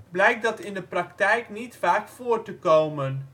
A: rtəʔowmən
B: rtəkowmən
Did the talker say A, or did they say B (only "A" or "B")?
B